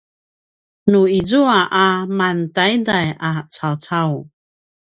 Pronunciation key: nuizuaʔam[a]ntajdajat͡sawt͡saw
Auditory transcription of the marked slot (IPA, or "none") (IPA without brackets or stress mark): a